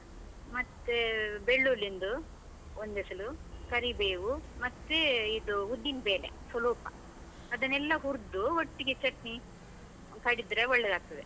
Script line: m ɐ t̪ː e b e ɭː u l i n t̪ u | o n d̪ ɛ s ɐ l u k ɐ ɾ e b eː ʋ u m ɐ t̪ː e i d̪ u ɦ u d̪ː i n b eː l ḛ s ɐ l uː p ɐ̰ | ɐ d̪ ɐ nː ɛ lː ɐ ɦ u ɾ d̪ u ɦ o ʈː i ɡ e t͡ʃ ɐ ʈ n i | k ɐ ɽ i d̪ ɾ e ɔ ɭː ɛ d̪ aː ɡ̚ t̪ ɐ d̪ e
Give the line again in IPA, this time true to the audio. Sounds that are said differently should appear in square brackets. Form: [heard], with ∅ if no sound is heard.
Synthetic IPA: m ɐ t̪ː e b e ɭː u l i n [d̪] u | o n d̪ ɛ s ɐ l u k ɐ ɾ [i] b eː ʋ u m ɐ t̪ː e i d̪ u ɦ u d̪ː i n b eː l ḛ s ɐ l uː p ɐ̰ | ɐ d̪ ɐ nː ɛ lː ɐ ɦ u ɾ d̪ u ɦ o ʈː i ɡ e t͡ʃ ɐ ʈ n i | k ɐ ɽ i d̪ ɾ e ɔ ɭː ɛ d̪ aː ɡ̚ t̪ ɐ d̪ e